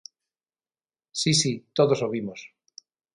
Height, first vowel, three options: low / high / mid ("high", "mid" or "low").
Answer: high